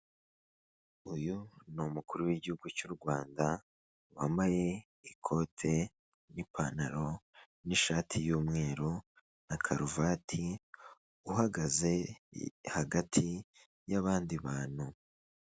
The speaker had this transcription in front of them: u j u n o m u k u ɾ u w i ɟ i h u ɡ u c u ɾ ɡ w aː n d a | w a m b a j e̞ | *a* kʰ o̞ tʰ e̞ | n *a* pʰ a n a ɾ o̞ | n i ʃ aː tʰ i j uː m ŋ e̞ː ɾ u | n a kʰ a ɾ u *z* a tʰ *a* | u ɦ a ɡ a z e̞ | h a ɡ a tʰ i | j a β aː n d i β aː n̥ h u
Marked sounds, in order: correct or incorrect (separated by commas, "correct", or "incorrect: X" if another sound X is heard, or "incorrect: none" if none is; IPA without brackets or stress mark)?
incorrect: i, incorrect: i, incorrect: v, incorrect: i